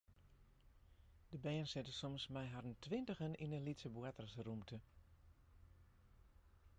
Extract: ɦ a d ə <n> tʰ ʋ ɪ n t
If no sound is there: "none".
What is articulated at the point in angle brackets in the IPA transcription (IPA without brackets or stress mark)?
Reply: n